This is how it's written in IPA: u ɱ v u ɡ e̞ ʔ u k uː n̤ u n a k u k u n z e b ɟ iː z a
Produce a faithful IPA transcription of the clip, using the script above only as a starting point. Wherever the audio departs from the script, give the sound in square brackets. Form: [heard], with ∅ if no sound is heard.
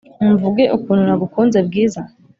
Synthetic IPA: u ɱ v u ɡ e̞ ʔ u k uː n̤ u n a [ɡ] u k u n z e b [ɡ] iː z a